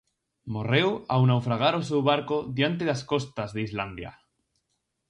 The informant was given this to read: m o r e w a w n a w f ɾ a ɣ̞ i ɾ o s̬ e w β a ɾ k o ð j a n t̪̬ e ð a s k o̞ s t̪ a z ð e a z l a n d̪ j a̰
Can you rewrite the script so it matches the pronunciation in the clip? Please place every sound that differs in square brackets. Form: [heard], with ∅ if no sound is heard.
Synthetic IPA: m o r e w a w n a w f ɾ a ɣ̞ [a] ɾ o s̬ e w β a ɾ k o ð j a n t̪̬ e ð a s k o̞ s t̪ a z ð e [i] z l a n d̪ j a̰